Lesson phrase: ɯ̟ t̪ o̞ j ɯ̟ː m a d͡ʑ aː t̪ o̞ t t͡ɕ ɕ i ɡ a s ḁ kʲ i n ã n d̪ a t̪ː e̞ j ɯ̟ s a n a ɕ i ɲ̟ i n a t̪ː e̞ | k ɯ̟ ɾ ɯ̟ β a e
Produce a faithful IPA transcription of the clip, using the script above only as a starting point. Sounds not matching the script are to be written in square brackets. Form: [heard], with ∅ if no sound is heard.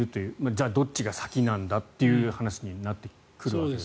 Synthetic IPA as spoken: ɯ̟ t̪ o̞ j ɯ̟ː m a d͡ʑ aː [d̪] o̞ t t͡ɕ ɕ i ɡ a s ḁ kʲ i n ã n d̪ a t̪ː e̞ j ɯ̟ [h] a n a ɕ i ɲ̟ i n a t̪ː e̞ | k ɯ̟ ɾ ɯ̟ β a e